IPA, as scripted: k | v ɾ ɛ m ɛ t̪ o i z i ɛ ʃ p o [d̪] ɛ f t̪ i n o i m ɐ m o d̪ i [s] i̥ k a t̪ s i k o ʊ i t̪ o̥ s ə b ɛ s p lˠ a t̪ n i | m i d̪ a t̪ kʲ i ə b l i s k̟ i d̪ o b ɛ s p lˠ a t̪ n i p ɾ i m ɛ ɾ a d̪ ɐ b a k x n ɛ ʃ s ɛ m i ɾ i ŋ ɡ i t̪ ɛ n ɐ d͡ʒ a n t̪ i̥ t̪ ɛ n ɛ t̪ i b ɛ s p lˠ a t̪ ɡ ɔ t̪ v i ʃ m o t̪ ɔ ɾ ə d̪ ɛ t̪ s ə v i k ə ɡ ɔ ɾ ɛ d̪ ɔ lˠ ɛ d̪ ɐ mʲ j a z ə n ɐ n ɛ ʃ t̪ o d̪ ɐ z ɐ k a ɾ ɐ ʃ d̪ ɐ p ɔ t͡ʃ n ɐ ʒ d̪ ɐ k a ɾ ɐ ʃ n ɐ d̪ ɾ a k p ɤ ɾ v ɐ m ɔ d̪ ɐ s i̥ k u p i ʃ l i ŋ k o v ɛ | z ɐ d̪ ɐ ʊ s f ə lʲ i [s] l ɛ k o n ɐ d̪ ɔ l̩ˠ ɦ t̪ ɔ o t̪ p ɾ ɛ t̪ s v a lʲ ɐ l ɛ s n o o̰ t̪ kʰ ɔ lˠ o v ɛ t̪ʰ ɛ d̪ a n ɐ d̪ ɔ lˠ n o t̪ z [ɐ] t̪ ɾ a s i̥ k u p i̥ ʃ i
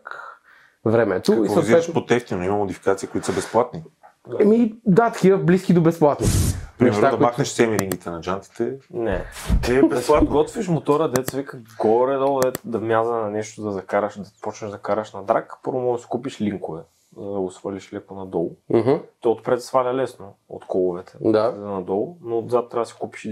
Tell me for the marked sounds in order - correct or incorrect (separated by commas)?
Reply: incorrect, incorrect, incorrect, incorrect